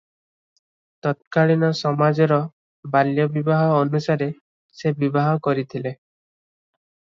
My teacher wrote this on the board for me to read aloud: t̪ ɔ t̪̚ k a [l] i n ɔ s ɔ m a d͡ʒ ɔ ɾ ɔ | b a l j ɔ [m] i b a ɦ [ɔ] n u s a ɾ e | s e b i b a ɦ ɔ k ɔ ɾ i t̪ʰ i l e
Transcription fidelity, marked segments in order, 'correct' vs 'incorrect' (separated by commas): incorrect, incorrect, incorrect